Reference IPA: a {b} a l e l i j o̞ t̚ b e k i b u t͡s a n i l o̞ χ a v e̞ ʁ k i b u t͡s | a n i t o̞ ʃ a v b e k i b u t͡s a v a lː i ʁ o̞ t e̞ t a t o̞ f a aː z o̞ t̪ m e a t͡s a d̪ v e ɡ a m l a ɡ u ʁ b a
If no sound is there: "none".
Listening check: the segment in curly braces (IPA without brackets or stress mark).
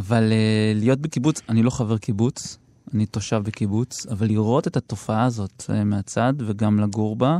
v